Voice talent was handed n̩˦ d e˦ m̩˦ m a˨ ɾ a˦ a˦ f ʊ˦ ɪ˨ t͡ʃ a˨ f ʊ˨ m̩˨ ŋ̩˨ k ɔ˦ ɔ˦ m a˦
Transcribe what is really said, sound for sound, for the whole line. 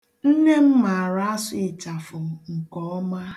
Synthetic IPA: n̩˦ n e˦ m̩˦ m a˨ ɾ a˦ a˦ s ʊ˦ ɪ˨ t͡ʃ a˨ f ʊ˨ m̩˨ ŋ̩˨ k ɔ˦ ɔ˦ m a˦